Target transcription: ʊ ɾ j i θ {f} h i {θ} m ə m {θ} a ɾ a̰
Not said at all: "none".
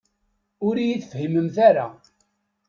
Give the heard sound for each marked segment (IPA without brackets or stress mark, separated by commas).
f, none, θ